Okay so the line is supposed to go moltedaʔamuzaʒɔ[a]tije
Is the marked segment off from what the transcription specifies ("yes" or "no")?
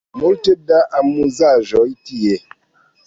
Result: yes